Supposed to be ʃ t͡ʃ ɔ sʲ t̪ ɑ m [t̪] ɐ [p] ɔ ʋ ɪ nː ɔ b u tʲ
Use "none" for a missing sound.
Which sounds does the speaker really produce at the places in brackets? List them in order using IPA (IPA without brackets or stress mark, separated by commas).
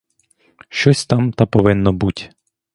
t̪, p